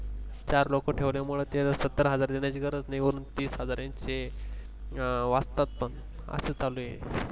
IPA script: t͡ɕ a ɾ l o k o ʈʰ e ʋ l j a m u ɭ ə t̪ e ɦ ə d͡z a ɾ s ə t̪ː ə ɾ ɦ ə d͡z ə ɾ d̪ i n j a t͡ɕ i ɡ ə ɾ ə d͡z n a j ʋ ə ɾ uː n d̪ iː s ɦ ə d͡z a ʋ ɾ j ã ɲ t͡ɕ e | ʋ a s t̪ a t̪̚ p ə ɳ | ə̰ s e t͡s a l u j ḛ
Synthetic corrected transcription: t͡ɕ a ɾ l o k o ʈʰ e ʋ l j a m u ɭ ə t̪ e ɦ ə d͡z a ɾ s ə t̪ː ə ɾ ɦ ə d͡z a ɾ d̪ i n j a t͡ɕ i ɡ ə ɾ ə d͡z n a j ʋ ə ɾ uː n t̪ iː s ɦ ə d͡z a ɾ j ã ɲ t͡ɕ e | ʋ a s t̪ a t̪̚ p ə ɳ | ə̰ s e t͡s a l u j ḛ